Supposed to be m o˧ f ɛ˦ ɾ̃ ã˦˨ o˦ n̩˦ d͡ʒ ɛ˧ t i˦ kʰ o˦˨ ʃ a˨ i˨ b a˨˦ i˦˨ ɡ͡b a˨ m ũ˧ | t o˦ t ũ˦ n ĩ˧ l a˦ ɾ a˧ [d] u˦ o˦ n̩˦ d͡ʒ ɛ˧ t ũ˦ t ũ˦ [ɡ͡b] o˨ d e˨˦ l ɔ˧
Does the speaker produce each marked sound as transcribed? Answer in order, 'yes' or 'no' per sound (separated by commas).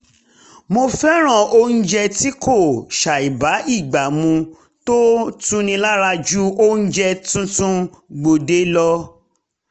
no, yes